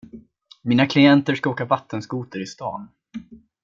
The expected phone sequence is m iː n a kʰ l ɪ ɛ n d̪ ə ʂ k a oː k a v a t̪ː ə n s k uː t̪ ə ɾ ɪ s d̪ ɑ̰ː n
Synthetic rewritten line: m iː n a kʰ l ɪ ɛ n t̪ ə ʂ k a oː k a v a t̪ː ə n s k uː t̪ ə ɾ ɪ s t̪ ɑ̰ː n

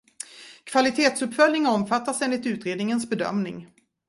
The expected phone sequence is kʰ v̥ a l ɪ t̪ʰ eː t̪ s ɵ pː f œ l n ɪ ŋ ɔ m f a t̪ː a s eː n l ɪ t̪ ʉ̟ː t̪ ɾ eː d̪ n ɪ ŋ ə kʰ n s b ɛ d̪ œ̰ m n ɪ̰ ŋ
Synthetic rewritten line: kʰ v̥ a l ɪ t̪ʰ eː t̪ s ɵ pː f œ l n ɪ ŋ ɔ m f a t̪ː a s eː n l ɪ t̪ ʉ̟ː t̪ ɾ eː d̪ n ɪ ŋ ə n s b ɛ d̪ œ̰ m n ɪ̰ ŋ

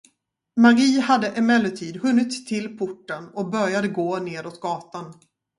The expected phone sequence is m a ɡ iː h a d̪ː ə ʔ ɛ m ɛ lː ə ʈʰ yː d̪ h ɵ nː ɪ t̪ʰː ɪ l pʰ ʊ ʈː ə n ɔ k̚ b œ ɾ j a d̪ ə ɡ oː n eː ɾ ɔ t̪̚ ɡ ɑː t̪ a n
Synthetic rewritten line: m a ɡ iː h a d̪ː ə ʔ ɛ m ɛ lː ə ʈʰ iː d̪ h ɵ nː ɪ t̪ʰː ɪ l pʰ ʊ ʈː ə n ɔ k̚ b œ ɾ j a d̪ ə ɡ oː n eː ɾ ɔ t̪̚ ɡ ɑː t̪ a n

